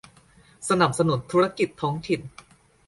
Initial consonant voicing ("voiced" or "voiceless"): voiceless